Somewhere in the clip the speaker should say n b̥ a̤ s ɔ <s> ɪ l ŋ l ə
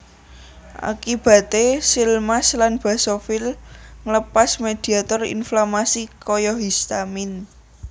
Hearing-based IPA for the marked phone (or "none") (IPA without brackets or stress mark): f